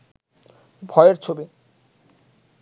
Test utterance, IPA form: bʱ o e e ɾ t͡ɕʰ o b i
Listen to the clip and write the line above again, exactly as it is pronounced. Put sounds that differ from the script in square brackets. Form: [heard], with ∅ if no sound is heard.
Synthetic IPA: bʱ [ɔ] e e ɾ t͡ɕʰ o b i

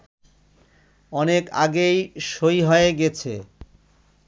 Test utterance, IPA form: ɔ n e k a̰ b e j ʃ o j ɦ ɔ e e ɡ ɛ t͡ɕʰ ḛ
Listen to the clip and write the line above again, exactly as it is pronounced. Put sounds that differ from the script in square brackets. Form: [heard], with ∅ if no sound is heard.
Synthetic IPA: ɔ n e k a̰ [ɡ] e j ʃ o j ɦ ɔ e e ɡ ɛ t͡ɕʰ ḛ

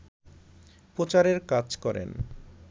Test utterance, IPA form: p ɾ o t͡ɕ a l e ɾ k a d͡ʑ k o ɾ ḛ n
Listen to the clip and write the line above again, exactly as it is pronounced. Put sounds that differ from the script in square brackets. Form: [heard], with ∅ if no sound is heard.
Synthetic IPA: p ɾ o t͡ɕ a [ɾ] e ɾ k a d͡ʑ k [ɔ] ɾ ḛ n

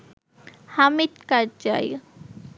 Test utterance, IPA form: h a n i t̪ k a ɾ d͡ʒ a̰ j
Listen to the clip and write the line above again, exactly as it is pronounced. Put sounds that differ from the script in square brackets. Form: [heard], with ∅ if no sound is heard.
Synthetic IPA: h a [m] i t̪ k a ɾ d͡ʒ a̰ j

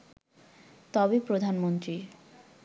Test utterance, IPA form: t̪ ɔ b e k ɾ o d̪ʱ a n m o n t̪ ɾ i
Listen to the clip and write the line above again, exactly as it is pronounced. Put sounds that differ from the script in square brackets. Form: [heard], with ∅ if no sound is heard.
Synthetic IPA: t̪ ɔ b e [p] ɾ o d̪ʱ a n m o n t̪ ɾ i

